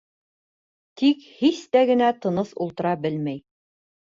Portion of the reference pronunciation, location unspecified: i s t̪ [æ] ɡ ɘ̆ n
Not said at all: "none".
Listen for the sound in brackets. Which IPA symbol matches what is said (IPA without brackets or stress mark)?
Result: æ